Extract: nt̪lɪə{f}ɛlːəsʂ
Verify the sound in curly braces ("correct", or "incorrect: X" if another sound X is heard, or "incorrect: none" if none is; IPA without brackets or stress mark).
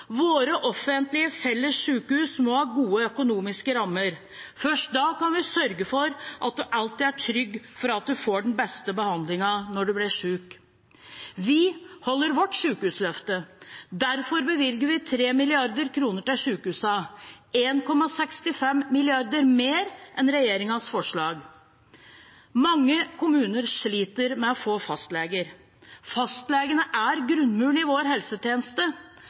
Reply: correct